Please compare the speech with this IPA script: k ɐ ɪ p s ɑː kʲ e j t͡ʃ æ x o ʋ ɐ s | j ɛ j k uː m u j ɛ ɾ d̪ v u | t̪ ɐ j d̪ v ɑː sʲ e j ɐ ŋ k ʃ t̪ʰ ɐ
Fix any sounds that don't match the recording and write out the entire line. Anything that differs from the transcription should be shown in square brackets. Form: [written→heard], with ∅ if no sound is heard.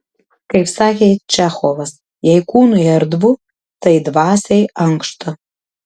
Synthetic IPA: k ɐ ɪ p s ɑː kʲ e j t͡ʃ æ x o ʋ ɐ s | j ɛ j k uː [m→n] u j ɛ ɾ d̪ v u | t̪ ɐ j d̪ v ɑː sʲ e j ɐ ŋ k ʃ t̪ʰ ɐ